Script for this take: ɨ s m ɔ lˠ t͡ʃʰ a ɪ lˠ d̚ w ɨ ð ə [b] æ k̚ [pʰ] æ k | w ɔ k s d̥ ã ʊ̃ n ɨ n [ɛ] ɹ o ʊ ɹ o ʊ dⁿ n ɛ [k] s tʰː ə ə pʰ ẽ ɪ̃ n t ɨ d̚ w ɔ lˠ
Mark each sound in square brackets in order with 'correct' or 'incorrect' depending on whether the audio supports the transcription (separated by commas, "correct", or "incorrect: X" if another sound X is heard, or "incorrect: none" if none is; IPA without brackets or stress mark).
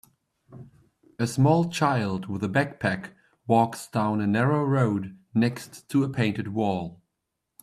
correct, correct, correct, correct